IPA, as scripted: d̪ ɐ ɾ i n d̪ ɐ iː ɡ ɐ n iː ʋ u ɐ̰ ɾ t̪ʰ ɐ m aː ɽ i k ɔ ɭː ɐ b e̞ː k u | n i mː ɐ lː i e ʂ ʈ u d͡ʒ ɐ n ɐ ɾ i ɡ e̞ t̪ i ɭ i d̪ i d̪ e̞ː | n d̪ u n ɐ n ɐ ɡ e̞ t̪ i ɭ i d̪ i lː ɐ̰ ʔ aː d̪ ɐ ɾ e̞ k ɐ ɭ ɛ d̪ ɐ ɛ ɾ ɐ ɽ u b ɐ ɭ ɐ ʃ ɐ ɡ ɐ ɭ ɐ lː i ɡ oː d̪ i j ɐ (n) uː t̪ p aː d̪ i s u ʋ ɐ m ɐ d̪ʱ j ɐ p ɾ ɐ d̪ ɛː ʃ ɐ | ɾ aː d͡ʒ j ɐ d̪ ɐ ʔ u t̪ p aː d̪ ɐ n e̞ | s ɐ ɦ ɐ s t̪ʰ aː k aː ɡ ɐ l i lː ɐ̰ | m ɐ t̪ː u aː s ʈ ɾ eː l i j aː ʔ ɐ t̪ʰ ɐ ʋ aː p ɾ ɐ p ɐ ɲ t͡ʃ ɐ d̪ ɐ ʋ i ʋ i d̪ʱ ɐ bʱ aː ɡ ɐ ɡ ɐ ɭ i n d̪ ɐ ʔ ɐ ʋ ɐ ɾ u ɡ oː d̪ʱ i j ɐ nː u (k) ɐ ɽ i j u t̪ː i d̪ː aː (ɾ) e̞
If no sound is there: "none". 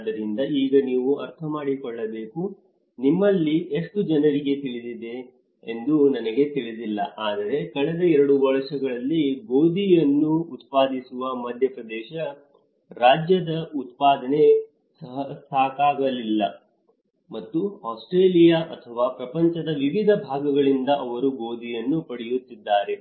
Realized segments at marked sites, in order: nː, p, ɾ

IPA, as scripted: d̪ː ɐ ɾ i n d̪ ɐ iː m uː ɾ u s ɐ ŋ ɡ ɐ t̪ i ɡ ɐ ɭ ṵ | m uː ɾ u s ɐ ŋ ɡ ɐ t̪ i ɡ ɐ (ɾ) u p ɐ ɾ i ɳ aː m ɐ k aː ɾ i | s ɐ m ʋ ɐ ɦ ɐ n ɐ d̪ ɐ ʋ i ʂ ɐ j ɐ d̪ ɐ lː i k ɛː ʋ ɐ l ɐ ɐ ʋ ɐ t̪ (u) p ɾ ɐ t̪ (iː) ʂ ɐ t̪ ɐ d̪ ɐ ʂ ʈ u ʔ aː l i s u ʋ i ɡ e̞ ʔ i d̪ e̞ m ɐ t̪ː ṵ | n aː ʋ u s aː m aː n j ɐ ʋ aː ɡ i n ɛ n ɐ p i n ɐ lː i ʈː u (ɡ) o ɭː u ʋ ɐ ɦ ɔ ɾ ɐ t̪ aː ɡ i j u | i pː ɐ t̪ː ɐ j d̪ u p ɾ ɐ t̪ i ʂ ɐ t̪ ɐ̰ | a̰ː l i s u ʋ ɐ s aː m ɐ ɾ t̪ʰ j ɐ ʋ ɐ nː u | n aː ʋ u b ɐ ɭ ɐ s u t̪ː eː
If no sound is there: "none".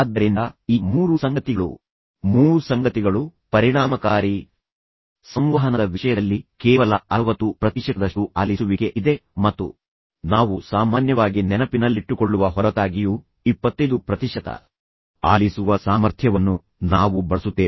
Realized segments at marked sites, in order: ɭ, u, i, k

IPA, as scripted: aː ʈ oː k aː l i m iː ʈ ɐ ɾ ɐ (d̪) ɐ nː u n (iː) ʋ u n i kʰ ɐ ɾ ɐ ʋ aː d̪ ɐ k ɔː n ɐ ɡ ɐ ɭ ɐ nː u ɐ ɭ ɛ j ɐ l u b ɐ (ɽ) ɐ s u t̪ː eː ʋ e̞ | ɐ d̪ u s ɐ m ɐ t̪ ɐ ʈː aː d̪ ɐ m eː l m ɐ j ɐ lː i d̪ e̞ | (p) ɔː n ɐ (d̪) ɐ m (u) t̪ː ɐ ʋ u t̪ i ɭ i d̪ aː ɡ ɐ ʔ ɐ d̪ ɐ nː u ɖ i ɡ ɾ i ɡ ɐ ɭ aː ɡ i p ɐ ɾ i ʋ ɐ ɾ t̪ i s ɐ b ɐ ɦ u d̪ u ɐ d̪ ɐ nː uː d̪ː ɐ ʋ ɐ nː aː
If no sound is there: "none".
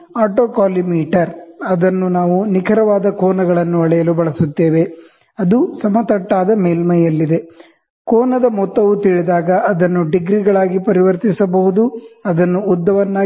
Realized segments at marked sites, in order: d̪, aː, ɭ, k, d̪, ɔ

